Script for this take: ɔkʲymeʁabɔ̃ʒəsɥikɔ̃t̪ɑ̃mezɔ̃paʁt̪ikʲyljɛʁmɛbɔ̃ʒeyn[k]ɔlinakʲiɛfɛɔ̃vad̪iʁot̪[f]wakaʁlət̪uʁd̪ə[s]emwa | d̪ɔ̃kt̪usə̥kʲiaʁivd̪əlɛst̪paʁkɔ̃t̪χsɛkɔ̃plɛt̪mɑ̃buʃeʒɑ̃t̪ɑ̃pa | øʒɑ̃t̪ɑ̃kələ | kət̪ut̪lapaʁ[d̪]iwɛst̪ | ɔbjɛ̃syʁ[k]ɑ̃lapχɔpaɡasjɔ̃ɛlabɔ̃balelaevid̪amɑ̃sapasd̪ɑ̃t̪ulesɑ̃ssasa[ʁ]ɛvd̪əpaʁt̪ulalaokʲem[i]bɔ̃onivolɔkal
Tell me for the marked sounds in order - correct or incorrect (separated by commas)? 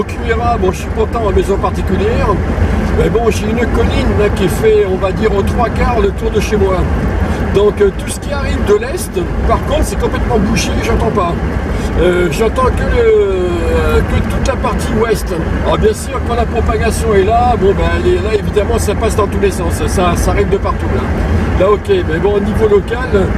correct, incorrect, incorrect, incorrect, correct, correct, incorrect